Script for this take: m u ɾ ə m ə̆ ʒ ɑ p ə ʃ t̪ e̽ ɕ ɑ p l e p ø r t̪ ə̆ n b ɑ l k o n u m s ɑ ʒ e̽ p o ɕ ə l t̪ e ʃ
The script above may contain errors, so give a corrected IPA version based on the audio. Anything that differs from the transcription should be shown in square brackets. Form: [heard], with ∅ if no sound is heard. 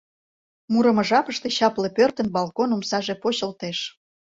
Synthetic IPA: m u ɾ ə m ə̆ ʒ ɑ p ə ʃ t̪ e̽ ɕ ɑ p l e p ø r t̪ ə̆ n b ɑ l k o n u m s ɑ ʒ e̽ p o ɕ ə l t̪ e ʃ

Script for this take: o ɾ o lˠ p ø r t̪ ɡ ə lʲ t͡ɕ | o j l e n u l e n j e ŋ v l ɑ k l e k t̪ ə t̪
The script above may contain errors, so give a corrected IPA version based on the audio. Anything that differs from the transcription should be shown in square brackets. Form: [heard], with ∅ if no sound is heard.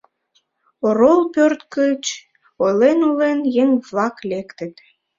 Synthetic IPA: o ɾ o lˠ p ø r t̪ [k] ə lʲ t͡ɕ | o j l e n u l e n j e ŋ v l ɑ k l e k t̪ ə t̪

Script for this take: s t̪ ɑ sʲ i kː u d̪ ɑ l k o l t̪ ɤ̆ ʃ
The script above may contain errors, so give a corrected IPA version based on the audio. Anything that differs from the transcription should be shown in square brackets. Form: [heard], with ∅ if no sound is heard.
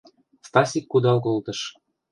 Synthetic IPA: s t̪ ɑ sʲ i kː u d̪ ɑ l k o l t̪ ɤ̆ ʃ

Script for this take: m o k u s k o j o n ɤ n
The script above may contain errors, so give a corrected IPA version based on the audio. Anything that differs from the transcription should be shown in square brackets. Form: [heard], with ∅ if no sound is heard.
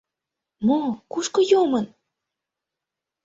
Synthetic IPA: m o k u [ʃ] k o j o [m] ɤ n

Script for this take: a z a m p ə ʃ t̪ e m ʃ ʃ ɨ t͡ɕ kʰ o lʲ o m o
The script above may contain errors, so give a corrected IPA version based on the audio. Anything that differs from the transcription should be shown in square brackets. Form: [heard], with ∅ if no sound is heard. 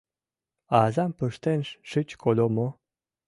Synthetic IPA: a z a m p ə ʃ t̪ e [n] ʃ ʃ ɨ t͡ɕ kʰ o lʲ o m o

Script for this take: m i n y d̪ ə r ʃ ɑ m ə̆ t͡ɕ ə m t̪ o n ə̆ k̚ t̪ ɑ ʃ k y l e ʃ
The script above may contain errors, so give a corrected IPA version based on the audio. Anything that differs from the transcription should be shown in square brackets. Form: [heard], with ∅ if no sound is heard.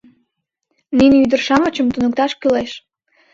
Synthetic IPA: [n] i n y d̪ ə r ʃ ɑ m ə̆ t͡ɕ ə m t̪ [u] n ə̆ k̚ t̪ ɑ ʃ k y l e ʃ

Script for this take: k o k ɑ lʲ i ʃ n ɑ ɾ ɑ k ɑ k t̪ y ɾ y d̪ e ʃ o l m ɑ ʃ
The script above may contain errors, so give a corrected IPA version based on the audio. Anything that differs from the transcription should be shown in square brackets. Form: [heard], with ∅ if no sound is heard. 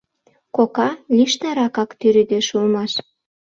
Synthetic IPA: k o k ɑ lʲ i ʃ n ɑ ɾ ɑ k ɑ k t̪ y ɾ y d̪ e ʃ [u] l m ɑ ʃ

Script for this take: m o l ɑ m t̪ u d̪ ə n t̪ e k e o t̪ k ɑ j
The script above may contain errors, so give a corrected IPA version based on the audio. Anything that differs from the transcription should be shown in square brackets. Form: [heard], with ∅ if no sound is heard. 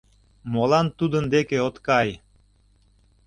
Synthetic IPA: m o l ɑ [n] t̪ u d̪ ə n [d̪] e k e o t̪ k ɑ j

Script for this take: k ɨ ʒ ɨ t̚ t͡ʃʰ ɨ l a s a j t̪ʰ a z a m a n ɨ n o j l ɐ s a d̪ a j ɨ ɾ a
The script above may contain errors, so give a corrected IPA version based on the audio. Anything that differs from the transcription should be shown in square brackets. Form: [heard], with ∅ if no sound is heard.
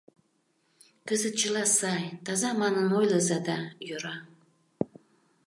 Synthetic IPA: k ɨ [z] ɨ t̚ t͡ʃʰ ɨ l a s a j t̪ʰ a z a m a n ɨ n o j l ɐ [z] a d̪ a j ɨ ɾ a

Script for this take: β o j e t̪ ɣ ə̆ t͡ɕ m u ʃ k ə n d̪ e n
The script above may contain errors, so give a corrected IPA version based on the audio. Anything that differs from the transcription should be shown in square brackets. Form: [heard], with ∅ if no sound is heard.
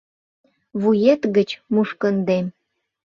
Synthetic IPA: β [u] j e t̪ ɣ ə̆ t͡ɕ m u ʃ k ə n d̪ e [m]

